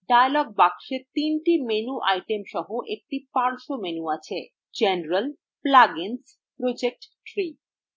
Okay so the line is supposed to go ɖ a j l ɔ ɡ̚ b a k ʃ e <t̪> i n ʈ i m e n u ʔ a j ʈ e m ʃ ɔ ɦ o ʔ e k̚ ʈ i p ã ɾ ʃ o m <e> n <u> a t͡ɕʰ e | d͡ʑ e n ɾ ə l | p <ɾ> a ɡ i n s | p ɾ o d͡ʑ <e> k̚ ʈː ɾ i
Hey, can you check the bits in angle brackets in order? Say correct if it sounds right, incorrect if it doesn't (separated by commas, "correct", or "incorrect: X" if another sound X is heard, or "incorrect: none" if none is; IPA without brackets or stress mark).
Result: correct, correct, correct, incorrect: l, correct